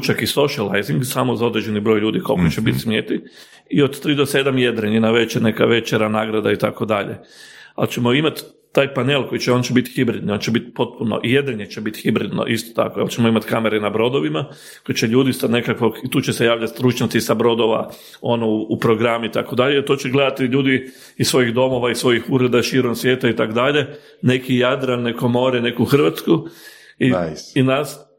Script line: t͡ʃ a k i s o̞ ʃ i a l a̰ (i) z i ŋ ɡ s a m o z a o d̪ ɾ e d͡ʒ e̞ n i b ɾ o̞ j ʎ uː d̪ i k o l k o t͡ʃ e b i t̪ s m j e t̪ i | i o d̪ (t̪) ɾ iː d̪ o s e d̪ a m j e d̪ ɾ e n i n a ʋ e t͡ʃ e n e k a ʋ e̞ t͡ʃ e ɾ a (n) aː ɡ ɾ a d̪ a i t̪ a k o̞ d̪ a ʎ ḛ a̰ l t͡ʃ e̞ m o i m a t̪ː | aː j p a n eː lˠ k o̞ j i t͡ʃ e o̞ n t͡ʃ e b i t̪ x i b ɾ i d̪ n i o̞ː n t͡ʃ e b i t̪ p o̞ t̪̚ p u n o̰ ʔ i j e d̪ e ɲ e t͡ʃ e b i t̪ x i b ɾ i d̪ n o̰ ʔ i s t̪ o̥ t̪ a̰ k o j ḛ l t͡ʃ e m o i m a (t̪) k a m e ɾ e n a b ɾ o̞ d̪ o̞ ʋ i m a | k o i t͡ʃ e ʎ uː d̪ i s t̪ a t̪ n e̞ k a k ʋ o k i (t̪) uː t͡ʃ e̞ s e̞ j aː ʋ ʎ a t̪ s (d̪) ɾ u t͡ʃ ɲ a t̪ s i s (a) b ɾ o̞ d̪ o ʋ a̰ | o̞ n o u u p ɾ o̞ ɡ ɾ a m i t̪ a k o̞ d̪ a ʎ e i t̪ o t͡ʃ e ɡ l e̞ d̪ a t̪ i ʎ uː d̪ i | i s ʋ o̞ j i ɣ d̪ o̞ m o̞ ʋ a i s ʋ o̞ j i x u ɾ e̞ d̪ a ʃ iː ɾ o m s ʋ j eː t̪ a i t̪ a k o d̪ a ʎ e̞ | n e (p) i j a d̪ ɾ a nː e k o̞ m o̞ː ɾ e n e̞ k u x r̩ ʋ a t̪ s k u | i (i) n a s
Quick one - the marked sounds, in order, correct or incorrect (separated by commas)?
incorrect, correct, correct, correct, correct, incorrect, correct, incorrect, correct